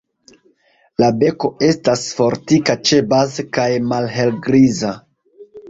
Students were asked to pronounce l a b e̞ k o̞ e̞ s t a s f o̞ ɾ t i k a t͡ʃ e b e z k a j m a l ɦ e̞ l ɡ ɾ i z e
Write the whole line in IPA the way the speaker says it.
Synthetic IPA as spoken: l a b e̞ k o̞ e̞ s t a s f o̞ ɾ t i k a t͡ʃ e b a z k a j m a l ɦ e̞ l ɡ ɾ i z a